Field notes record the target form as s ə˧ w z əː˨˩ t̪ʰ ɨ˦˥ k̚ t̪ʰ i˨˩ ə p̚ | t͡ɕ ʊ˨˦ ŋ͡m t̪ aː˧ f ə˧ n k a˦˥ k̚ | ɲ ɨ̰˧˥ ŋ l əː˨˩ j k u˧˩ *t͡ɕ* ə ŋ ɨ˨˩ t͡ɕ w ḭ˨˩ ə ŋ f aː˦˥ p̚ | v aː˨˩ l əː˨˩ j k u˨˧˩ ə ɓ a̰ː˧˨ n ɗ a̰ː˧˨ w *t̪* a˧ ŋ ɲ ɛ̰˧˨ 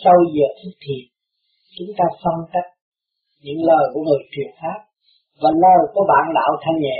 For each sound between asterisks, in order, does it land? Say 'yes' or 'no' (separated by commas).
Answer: no, no